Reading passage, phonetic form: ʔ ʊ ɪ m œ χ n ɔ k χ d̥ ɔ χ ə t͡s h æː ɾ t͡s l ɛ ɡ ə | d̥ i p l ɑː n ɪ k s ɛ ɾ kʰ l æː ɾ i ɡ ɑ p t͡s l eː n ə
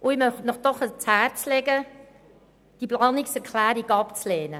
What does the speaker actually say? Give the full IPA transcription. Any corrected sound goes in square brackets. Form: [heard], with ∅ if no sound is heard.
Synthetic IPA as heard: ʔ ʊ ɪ m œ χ n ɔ [∅] χ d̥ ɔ χ ə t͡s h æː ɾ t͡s l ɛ ɡ ə | d̥ i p l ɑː n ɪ k s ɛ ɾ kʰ l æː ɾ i ɡ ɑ p t͡s l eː n ə